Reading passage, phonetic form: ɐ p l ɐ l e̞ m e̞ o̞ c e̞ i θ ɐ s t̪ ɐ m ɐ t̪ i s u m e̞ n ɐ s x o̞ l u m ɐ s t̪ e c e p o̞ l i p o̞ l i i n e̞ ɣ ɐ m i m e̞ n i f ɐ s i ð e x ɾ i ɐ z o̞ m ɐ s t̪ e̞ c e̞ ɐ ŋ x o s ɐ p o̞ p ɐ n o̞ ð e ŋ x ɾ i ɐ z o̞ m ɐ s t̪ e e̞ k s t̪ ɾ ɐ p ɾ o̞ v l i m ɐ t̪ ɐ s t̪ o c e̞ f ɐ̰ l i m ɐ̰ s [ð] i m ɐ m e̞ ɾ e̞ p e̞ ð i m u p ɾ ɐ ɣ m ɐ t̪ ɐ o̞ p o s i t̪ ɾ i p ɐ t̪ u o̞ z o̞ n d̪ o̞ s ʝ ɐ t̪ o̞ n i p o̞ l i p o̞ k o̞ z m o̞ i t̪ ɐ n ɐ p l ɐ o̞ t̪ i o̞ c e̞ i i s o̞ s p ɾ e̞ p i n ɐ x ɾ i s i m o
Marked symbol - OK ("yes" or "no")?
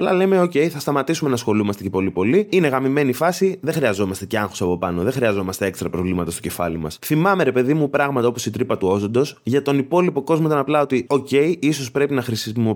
no